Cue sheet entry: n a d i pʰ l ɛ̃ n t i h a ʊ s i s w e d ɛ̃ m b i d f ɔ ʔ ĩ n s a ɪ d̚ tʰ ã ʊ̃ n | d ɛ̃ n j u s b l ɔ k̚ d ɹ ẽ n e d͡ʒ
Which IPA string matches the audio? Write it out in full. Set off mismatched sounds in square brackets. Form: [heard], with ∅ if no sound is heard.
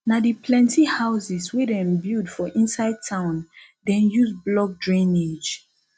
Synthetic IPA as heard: n a d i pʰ l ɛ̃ n t i h a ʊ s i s w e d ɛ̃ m b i d f ɔ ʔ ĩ n s a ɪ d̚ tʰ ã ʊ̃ n | d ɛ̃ n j u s b l ɔ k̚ d ɹ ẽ n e d͡ʒ